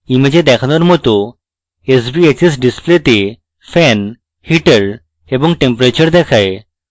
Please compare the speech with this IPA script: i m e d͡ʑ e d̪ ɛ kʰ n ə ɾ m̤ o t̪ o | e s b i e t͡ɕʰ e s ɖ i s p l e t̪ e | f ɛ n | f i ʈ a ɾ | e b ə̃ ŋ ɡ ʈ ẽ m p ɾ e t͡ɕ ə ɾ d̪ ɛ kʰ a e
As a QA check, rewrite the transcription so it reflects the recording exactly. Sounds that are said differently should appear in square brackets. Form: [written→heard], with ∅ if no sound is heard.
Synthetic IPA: i m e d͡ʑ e d̪ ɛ kʰ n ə ɾ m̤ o t̪ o | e s b i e [t͡ɕʰ→t͡ɕ] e s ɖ i s p l e t̪ e | f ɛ n | [f→h] i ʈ [a→ə] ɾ | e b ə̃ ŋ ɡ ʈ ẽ m p ɾ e t͡ɕ ə ɾ d̪ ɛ kʰ a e